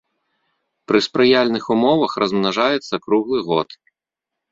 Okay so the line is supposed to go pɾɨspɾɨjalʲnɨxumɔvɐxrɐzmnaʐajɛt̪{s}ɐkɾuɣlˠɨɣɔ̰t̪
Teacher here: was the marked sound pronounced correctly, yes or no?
no